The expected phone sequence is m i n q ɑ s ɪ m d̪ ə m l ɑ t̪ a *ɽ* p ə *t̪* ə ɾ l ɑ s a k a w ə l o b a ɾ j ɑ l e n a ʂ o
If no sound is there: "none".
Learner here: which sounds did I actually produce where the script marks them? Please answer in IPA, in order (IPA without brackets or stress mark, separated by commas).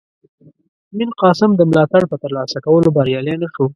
ɽ, t̪